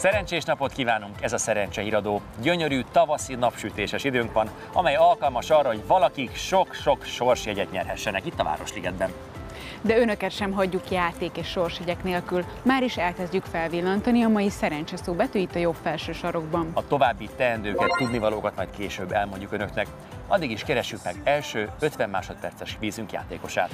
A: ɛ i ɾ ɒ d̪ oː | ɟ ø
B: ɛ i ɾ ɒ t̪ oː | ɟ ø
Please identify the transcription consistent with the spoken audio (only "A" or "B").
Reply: A